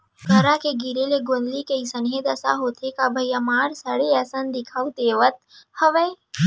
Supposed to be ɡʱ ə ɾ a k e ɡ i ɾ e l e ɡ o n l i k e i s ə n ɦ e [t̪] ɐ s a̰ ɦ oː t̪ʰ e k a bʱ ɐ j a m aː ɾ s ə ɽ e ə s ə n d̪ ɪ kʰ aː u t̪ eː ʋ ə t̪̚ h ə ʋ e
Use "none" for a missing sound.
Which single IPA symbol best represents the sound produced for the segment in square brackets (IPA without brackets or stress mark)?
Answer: d̪